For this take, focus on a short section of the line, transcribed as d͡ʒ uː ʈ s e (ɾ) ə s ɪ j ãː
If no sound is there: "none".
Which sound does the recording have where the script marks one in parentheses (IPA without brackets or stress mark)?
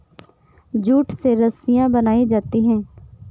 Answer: ɾ